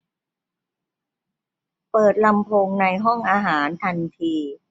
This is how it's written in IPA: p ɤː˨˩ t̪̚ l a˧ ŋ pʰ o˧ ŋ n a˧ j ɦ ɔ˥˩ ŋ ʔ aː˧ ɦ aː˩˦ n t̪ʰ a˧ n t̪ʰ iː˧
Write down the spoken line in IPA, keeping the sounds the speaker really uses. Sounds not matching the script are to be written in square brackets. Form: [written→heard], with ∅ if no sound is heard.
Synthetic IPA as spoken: p ɤː˨˩ t̪̚ l a˧ [ŋ→m] pʰ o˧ ŋ n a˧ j ɦ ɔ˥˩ ŋ ʔ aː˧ ɦ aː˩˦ n t̪ʰ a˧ n t̪ʰ iː˧